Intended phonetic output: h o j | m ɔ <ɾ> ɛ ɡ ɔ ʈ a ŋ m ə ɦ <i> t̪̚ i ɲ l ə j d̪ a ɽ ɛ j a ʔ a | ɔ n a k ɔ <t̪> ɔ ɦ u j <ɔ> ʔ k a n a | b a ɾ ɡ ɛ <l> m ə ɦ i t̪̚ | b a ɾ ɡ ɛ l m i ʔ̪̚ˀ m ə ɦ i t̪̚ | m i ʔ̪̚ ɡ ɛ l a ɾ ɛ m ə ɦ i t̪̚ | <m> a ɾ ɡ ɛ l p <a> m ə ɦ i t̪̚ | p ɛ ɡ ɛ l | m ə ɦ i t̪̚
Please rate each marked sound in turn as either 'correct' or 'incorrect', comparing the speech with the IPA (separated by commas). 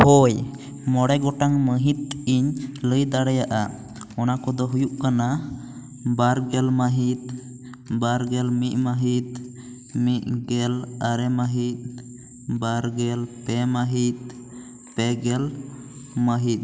incorrect, correct, incorrect, incorrect, correct, incorrect, incorrect